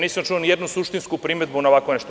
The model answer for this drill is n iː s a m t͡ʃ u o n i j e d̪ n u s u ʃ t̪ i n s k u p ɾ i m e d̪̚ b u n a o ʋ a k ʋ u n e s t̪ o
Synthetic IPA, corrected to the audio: n iː s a m t͡ʃ u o n i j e d̪ n u s u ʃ t̪ i n s k u p ɾ i m e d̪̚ b u n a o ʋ a k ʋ o n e ʃ t̪ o